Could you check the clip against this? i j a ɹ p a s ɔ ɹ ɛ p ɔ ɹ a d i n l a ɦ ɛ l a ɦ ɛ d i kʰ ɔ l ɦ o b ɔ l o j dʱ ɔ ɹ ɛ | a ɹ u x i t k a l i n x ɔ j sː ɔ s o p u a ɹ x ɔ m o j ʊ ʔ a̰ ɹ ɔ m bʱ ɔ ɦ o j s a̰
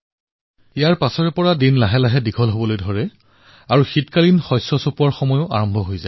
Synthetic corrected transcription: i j a ɹ p a s ɔ ɹ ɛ p ɔ ɹ a d i n l a ɦ ɛ l a ɦ ɛ d i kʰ ɔ l ɦ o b ɔ l o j dʱ ɔ ɹ ɛ | a ɹ u x i t k a l i n x ɔ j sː ɔ s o p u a ɹ x ɔ m ɔ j ʊ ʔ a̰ ɹ ɔ m bʱ ɔ ɦ o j z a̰